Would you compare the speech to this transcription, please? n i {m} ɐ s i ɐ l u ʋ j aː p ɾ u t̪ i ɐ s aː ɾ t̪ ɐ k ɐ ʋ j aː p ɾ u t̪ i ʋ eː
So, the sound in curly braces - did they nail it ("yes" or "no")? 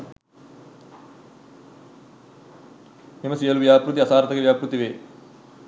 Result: yes